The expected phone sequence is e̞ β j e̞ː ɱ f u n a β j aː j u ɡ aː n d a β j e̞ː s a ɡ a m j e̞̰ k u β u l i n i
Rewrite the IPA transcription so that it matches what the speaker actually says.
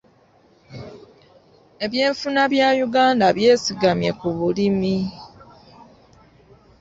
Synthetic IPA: e̞ β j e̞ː ɱ f u n a β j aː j u ɡ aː n d a β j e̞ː s i ɡ a m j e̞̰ k u β u l i m i

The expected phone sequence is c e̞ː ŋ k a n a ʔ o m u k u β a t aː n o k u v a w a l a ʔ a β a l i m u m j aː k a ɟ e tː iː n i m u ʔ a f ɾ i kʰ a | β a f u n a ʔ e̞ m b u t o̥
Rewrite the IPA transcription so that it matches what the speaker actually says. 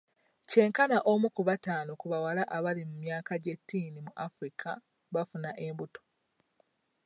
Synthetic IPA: c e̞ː ŋ k a n a ʔ o m u k u β a t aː n o k u β a w a l a ʔ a β a l i m u m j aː k a ɟ e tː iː n i m u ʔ a f ɾ i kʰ a | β a f u n a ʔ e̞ m b u t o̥

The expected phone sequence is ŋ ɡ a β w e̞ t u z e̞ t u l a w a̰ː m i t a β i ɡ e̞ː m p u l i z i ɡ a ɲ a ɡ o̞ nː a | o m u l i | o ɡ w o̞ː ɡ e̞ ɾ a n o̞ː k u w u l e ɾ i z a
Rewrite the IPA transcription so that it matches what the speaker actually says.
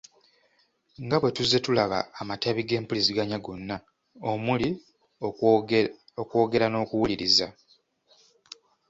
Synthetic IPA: ŋ ɡ a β w e̞ t u z e̞ t u l a β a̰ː m a t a β i ɡ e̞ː m p u l i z i ɡ a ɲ a ɡ o̞ nː a | o m u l i | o k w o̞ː ɡ e̞ ɾ a n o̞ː k u w u l i ɾ i z a

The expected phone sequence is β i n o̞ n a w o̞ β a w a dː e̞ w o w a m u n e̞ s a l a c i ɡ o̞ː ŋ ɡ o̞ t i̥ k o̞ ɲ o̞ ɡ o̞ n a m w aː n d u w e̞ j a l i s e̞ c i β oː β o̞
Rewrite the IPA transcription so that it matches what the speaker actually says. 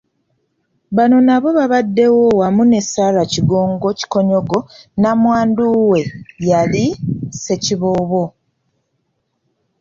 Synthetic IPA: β a n o̞ n a β o̞ β a β a dː e̞ w o w a m u n e̞ s a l a c i ɡ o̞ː ŋ ɡ o̞ c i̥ k o̞ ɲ o̞ ɡ o̞ n a m w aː n d u w e̞ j a l i s e̞ c i β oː β o̞

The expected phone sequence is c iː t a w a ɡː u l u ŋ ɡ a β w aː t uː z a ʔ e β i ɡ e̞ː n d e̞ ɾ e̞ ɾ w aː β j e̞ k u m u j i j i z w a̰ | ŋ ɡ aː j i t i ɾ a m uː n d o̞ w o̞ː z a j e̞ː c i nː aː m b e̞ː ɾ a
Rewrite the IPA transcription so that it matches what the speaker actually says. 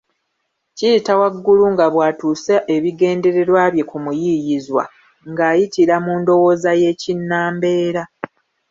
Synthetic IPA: c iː t a w a ɡː u l u ŋ ɡ a β w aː t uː s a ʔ e β i ɡ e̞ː n d e̞ ɾ e̞ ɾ w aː β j e̞ k u m u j i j i z w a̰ | ŋ ɡ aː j i t i ɾ a m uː n d o̞ w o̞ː z a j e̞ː c i nː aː m b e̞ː ɾ a

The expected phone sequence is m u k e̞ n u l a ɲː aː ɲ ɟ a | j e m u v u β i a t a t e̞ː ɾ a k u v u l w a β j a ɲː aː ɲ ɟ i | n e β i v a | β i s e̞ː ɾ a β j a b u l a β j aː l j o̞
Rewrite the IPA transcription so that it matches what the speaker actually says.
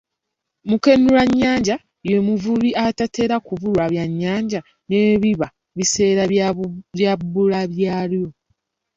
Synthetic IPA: m u k e̞ n u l a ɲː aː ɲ ɟ a | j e m u v u β i a t a t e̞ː ɾ a k u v u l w a β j a ɲː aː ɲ ɟ a | n e β i β a | β i s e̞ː ɾ a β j a b u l a β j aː l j o̞

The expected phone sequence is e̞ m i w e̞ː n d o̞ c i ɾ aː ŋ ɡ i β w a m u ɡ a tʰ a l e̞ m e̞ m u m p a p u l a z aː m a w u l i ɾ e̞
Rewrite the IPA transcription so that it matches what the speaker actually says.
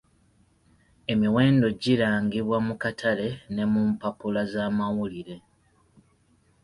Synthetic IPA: e̞ m i w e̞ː n d o̞ ɟ i ɾ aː ŋ ɡ i β w a m u k a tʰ a l e̞ n e̞ m u m p a p u l a z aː m a w u l i ɾ e̞

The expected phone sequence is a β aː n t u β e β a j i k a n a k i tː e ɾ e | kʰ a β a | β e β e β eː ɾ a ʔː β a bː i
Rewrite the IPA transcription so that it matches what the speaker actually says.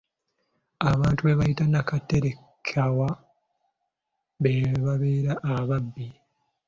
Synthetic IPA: a β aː n t u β e β a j i t a n a k a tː e ɾ e | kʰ a w a | β e β a β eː ɾ a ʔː β a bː i

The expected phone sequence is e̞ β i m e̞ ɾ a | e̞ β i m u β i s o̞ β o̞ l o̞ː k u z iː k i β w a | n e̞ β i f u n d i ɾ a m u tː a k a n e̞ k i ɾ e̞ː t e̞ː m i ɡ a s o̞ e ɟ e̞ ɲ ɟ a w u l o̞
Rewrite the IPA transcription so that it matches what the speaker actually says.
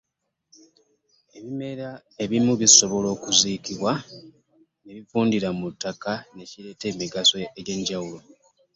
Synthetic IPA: e̞ β i m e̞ ɾ a | e̞ β i m u β i s o̞ β o̞ l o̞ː k u z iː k i β w a | n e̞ β i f uː n d i ɾ a m u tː a k a n e̞ c i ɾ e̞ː t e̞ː m i ɡ a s o̞ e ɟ e̞ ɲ ɟ a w u l o̞

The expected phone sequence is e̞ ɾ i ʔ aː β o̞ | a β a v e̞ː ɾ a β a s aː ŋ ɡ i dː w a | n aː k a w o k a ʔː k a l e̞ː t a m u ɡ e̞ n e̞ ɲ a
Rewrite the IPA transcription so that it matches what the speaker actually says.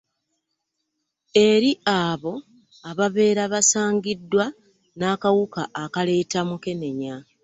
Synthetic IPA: e̞ ɾ i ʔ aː β o̞ | a β a β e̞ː ɾ a β a s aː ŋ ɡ i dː w a | n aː k a w u k a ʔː k a l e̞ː t a m u k e̞ n e̞ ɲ a

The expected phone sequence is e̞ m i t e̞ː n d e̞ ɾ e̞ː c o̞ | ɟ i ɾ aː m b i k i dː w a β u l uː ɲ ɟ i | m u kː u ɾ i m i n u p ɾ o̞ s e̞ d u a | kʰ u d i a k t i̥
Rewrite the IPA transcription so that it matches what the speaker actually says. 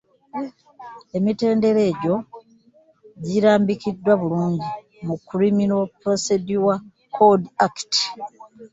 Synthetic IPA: e̞ m i t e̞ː n d e̞ ɾ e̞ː ɟ o̞ | ɟ i ɾ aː m b i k i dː w a β u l uː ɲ ɟ i | m u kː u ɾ i m i n o p ɾ o̞ s e̞ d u a | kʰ o d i a k t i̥

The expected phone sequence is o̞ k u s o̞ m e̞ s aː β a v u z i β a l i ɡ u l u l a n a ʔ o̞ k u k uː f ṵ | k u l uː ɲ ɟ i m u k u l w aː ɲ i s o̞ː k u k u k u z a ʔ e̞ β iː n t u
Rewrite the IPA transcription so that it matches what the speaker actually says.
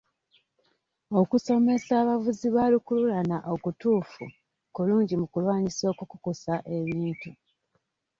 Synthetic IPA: o̞ k u s o̞ m e̞ s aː β a v u z i β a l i k u l u l a n a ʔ o̞ k u t uː f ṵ | k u l uː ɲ ɟ i m u k u l w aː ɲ i s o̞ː k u k u k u s a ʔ e̞ β iː n t u

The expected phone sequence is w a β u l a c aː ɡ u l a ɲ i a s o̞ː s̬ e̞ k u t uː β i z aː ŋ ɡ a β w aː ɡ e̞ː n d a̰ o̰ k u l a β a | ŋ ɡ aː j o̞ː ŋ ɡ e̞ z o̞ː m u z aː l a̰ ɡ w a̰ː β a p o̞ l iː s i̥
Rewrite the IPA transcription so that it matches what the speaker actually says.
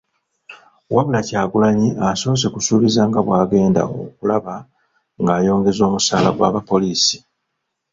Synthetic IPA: w a β u l a c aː ɡ u l a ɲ i a s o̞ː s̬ e̞ k u s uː β i z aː ŋ ɡ a β w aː ɡ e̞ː n d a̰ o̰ k u l a β a | ŋ ɡ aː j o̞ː ŋ ɡ e̞ z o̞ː m u s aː l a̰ ɡ w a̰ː β a p o̞ l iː s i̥

